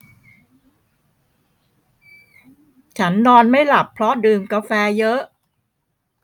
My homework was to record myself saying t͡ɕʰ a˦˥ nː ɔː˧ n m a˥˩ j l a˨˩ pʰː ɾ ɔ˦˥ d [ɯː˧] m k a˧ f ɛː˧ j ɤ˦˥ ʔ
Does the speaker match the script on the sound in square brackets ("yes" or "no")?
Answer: yes